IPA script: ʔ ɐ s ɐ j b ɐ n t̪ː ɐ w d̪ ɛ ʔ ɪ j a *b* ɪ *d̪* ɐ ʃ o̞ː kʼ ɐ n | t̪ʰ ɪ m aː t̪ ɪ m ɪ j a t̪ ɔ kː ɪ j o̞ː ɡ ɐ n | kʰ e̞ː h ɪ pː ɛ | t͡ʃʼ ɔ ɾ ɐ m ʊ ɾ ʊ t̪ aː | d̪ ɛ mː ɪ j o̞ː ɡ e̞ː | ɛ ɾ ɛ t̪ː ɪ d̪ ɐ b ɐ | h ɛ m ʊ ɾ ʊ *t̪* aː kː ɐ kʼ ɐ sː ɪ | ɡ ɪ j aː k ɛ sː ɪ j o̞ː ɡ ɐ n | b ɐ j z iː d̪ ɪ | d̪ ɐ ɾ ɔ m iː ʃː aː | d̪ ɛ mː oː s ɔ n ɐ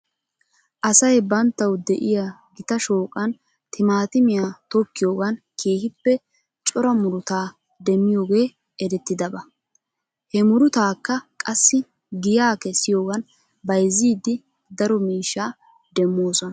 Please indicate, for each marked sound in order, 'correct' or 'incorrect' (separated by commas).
incorrect, incorrect, correct